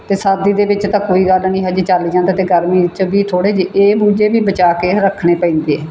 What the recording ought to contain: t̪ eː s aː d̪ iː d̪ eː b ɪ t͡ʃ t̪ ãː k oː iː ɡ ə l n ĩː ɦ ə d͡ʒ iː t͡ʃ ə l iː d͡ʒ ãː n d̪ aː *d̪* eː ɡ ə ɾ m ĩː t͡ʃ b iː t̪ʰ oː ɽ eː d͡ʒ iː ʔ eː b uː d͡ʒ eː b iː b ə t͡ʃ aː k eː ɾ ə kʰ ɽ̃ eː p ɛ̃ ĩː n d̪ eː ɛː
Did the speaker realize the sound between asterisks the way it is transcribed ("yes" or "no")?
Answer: no